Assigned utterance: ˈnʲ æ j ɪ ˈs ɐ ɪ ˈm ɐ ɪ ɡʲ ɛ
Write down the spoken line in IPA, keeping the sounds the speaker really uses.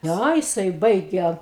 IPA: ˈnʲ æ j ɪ ˈs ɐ ɪ ˈb ɐ ɪ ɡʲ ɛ